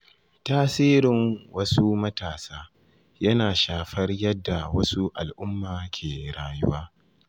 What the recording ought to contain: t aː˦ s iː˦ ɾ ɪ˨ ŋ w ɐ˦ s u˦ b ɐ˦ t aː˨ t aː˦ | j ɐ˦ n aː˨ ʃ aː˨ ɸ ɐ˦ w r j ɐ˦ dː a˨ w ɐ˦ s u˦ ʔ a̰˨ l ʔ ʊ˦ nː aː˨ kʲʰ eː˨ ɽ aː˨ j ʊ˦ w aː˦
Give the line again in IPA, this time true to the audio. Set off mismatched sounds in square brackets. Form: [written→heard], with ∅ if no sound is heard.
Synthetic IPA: t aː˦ s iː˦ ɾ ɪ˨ ŋ w ɐ˦ s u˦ [b→m] ɐ˦ t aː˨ [t→s] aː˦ | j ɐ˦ n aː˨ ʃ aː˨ ɸ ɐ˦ [w→∅] r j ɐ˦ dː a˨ w ɐ˦ s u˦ ʔ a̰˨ l ʔ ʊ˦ [nː→mː] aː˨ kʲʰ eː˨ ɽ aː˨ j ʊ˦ w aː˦